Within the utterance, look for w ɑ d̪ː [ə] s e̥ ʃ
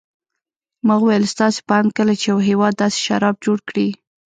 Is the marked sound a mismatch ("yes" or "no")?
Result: yes